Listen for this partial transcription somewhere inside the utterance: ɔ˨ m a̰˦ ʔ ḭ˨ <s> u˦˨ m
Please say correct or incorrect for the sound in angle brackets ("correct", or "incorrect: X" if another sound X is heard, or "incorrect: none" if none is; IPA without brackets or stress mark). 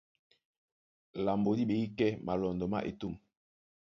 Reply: incorrect: t